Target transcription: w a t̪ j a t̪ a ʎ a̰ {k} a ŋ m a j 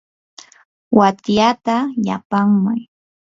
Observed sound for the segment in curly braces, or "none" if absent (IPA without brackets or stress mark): p